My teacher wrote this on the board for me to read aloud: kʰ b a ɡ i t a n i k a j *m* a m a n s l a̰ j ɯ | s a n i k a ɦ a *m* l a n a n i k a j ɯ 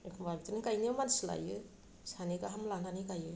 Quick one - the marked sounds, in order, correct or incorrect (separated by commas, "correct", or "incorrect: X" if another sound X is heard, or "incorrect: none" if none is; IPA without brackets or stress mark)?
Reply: incorrect: n, correct